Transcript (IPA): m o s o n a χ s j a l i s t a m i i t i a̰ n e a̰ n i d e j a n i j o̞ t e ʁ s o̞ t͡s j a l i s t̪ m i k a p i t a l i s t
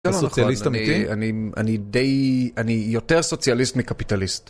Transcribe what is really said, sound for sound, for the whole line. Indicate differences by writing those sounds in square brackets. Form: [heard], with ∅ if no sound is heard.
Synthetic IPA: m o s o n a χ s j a l i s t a m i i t i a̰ n [i] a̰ n i d e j a n i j o̞ t e ʁ s o̞ t͡s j a l i s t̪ m i k a p i t a l i s t